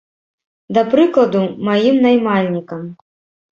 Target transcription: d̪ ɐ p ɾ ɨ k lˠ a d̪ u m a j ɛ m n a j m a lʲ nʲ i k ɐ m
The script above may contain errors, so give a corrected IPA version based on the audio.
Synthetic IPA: d̪ ɐ p ɾ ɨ k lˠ ɐ d̪ u m a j i m n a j m a lʲ nʲ i k ɐ m